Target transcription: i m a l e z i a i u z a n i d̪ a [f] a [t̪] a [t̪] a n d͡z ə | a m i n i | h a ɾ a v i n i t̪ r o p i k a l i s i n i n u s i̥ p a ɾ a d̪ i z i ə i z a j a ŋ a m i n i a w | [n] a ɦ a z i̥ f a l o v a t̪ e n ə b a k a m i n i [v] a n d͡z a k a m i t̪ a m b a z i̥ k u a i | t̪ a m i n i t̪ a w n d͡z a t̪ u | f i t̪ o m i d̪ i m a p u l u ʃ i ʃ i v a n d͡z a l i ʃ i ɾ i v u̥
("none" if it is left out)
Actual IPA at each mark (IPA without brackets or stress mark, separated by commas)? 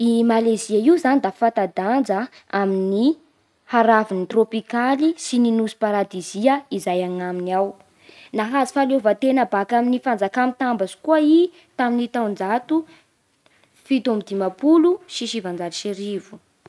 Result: f, t̪, d̪, n, f